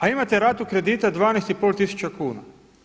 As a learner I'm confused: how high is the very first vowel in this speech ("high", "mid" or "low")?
low